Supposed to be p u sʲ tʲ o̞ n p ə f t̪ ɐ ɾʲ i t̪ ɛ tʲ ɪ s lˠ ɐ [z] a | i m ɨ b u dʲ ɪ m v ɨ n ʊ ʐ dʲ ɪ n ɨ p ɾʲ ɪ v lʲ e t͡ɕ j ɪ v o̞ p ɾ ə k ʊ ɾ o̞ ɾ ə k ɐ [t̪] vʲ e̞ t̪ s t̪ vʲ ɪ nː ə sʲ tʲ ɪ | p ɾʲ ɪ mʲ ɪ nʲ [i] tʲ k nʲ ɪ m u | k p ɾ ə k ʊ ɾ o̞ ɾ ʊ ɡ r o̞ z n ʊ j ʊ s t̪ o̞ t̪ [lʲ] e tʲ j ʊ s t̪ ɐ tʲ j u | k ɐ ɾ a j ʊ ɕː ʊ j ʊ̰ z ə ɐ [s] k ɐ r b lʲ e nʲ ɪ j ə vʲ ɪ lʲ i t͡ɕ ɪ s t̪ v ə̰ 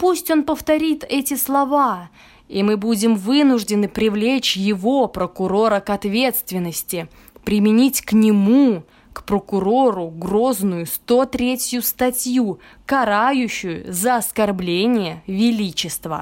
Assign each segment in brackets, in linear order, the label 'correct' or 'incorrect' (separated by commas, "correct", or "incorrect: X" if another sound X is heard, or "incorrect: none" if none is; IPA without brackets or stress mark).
incorrect: v, correct, correct, incorrect: ɾʲ, correct